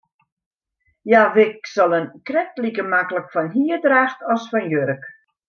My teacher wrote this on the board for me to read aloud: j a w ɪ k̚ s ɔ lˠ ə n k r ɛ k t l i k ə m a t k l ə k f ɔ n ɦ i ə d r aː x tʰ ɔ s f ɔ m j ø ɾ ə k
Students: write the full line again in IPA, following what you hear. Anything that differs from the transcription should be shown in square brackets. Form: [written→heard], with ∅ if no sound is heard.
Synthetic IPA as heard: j a [w→ʋ] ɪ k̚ s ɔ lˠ ə n k r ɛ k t l i k ə m a [t→∅] k l ə k f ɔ n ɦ i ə d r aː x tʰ ɔ s f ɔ [m→n] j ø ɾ ə k